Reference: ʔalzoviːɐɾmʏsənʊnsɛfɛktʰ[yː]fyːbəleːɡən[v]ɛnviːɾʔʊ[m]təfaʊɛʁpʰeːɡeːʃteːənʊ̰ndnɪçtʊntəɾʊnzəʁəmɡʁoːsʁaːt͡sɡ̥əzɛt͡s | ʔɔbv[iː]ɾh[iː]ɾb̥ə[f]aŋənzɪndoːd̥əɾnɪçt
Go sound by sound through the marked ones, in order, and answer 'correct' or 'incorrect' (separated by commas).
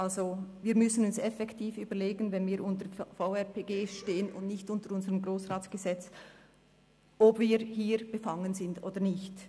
incorrect, correct, incorrect, correct, correct, correct